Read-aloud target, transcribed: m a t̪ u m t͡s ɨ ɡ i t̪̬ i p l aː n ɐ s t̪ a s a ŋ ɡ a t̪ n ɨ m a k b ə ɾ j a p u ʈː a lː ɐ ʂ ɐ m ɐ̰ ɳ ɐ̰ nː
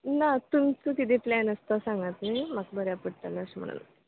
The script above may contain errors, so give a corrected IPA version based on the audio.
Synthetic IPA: n a t̪ u m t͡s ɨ k i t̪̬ i p l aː n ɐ s t̪ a s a ŋ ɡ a t̪ n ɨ m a k b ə ɾ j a p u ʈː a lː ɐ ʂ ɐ m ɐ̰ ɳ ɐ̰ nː